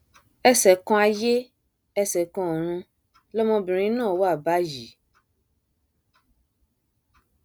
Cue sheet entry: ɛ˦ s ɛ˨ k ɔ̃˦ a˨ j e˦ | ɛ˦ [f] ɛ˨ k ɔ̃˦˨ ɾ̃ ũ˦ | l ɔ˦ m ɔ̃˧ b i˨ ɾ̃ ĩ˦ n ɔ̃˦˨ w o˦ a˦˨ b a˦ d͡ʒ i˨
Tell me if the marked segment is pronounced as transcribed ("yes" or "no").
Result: no